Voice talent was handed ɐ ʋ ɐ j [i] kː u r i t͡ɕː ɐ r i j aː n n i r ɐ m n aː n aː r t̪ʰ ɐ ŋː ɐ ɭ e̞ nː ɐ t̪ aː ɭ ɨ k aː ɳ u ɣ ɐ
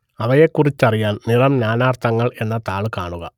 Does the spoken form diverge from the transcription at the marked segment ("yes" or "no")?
yes